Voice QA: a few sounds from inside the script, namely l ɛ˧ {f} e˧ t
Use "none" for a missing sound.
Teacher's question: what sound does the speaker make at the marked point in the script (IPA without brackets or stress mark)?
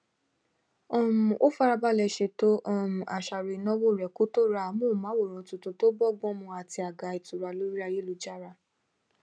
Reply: ʃ